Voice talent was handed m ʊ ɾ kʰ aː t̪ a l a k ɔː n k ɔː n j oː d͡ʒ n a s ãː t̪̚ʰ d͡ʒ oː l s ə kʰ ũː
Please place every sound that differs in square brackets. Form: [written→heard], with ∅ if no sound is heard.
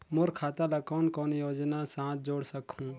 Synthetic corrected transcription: m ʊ ɾ kʰ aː t̪ a l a k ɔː n k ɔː n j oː d͡ʒ n a s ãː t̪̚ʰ d͡ʒ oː [l→ɽ] s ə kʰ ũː